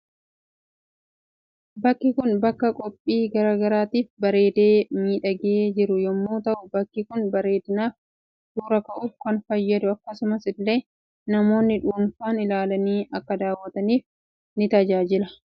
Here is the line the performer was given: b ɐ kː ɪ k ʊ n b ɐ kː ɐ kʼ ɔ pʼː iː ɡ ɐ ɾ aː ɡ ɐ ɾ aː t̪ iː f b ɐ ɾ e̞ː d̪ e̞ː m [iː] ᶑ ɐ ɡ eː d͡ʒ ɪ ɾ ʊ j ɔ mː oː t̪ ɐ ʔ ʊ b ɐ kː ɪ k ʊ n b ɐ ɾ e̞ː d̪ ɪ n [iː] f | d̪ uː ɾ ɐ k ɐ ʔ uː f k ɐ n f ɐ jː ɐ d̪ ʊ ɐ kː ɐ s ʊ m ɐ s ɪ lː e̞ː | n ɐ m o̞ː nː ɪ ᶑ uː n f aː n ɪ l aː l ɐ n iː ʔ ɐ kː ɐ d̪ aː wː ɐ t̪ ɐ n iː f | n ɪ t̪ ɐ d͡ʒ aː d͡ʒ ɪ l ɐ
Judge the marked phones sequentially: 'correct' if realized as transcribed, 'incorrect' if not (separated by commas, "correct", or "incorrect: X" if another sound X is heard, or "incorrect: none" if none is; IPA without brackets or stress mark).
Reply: correct, incorrect: aː